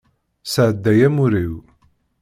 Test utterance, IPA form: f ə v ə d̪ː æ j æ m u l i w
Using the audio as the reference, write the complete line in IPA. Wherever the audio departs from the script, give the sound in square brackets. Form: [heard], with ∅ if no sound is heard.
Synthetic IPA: [s] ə [ʕ] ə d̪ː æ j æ m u [ɾ] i w